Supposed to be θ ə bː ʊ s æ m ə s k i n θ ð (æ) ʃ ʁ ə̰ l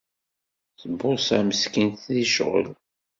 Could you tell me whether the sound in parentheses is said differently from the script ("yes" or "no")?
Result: yes